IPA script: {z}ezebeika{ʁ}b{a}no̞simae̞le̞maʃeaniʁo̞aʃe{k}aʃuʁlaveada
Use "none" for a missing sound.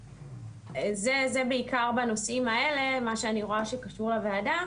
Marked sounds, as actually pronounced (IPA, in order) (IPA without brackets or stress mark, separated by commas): z, ʁ, a, k